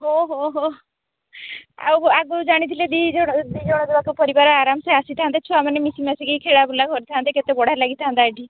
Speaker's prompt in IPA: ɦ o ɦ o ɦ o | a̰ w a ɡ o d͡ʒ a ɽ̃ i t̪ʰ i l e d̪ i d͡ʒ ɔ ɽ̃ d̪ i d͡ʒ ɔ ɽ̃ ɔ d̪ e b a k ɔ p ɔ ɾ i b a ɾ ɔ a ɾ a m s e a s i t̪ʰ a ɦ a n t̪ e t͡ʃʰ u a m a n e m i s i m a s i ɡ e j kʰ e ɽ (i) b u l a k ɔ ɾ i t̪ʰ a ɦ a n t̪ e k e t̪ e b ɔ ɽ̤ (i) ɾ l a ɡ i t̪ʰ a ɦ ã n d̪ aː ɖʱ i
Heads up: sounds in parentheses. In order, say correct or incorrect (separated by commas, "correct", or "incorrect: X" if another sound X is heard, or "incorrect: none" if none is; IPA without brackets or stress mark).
incorrect: a, incorrect: a